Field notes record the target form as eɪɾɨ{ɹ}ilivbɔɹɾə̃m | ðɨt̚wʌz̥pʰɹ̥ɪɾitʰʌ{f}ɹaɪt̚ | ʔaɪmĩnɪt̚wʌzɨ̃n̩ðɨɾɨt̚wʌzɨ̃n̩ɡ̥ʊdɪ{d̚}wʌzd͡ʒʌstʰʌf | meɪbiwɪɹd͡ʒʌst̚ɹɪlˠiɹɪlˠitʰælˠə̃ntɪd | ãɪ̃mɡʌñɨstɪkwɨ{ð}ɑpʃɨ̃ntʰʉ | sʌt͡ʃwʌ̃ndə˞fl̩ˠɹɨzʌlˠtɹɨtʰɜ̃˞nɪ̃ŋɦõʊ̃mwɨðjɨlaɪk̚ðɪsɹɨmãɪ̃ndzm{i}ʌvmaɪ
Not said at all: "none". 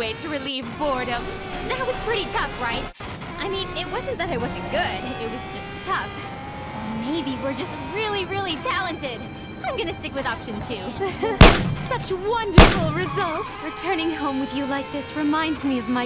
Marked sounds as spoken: ɹ, f, t̚, ð, i

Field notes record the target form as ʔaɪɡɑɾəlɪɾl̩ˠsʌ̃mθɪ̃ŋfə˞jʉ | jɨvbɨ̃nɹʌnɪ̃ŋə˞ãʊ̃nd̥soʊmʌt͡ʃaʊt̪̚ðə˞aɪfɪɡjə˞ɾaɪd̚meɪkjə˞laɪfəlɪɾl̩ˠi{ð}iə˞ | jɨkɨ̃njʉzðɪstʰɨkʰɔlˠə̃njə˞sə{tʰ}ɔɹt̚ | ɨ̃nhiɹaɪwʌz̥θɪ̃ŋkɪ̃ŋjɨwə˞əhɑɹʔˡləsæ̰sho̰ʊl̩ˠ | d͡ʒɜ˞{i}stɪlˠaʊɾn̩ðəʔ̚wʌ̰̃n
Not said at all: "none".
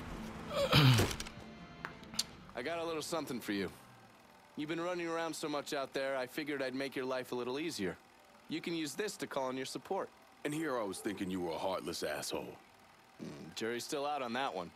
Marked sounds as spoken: z, pʰ, i

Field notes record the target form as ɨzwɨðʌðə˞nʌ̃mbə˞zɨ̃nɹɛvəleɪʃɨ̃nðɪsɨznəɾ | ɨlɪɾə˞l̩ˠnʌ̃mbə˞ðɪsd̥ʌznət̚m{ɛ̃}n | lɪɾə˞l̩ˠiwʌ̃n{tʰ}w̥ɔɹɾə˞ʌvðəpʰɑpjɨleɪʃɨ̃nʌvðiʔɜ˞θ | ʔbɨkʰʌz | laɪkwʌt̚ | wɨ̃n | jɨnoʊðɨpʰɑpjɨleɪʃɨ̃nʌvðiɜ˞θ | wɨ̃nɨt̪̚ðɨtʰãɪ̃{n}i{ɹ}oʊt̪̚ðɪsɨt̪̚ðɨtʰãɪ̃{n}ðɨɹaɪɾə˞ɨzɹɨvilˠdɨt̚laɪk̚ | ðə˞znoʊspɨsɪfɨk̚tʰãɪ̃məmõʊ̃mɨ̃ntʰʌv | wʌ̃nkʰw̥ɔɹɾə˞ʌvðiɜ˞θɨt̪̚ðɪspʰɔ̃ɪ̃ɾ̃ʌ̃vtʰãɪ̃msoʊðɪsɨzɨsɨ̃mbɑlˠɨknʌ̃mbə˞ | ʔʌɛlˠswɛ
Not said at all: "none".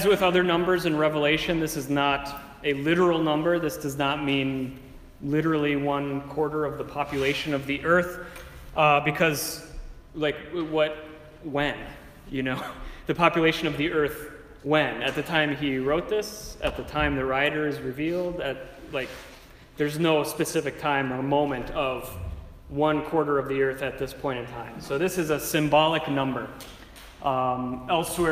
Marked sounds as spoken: ĩ, kʰ, m, ɹ, m

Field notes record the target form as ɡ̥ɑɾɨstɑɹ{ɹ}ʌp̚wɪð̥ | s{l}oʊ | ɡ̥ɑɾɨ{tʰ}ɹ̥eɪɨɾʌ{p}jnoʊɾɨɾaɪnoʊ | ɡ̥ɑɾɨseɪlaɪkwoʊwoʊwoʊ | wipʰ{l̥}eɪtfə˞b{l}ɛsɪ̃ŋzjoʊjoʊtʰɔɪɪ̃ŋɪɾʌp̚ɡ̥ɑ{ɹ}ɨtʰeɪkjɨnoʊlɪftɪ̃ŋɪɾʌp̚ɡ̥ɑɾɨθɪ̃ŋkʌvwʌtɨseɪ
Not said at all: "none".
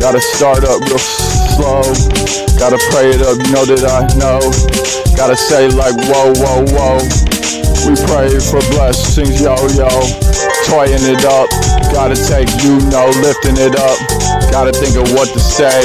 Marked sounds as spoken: ɾ, l, pʰ, p, ɹ̥, l, ɾ

